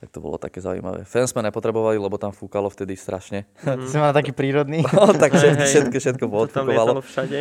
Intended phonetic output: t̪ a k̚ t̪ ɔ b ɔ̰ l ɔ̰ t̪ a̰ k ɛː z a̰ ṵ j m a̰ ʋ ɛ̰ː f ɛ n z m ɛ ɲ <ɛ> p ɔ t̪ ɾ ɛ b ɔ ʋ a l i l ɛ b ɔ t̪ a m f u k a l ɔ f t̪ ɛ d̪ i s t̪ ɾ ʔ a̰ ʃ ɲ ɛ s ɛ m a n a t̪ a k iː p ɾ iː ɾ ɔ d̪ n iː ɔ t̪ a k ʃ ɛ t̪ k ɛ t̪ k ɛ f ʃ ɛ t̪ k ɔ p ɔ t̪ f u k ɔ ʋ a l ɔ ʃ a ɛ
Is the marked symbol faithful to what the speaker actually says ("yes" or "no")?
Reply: yes